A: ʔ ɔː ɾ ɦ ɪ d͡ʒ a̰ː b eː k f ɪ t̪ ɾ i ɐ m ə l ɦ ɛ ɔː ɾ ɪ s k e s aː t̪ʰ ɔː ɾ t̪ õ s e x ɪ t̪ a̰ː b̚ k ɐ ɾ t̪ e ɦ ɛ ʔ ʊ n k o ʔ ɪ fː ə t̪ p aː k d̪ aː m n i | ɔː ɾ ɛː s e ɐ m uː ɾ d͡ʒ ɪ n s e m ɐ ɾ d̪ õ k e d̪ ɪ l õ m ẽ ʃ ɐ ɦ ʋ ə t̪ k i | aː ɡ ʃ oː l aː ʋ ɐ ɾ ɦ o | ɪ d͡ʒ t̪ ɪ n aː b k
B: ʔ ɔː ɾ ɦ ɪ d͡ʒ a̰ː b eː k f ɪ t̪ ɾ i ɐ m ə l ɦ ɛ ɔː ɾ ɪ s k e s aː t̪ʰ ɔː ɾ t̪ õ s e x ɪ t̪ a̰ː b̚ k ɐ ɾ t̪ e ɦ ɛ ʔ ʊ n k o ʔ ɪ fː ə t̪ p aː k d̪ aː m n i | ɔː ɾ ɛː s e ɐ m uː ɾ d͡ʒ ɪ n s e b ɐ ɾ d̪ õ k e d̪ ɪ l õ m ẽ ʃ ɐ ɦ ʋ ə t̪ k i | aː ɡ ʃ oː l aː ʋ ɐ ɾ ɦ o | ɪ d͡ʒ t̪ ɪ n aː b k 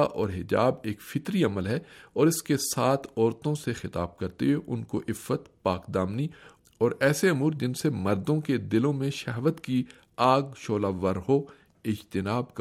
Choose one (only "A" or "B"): A